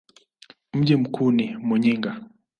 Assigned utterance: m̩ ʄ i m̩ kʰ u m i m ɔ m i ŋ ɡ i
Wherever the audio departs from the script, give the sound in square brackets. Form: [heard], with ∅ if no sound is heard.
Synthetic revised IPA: m̩ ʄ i m̩ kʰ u [n] i m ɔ [ɲ] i ŋ ɡ [a]